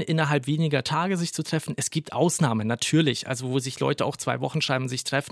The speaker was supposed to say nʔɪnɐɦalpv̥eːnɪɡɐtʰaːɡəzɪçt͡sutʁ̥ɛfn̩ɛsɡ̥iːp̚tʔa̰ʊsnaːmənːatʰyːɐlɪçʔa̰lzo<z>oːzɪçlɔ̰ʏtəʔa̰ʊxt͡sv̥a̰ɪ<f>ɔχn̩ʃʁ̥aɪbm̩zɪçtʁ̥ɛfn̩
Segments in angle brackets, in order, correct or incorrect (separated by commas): incorrect, incorrect